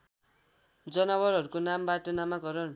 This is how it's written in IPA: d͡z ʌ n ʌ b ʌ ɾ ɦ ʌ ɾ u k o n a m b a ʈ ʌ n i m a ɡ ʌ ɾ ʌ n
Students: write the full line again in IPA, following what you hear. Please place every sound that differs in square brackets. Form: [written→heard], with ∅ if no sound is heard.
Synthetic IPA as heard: d͡z ʌ n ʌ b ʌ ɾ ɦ ʌ ɾ u k o n a m b a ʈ ʌ n [i→a] m a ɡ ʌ ɾ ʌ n